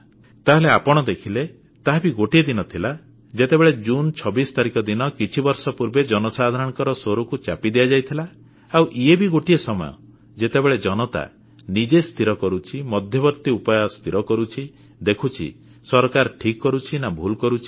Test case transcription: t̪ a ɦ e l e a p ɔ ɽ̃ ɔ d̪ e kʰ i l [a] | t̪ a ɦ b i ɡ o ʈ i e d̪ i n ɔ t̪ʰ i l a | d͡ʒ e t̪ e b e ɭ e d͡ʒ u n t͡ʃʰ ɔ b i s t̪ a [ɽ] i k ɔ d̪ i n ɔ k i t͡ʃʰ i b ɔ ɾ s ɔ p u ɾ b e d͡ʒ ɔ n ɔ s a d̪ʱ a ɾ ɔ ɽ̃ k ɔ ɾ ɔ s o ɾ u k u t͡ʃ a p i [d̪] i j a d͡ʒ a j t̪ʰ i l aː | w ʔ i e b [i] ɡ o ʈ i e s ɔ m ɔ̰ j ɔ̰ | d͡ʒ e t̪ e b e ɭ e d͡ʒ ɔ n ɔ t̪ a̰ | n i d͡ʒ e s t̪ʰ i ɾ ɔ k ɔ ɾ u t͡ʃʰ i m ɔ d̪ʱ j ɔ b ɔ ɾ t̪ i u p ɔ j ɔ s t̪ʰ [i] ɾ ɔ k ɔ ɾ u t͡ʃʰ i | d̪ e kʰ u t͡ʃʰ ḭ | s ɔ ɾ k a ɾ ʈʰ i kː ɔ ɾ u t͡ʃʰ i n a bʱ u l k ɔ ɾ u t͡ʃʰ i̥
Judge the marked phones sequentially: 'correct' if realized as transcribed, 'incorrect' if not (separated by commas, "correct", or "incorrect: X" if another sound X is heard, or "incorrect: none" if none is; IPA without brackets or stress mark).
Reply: incorrect: e, incorrect: ɾ, correct, correct, correct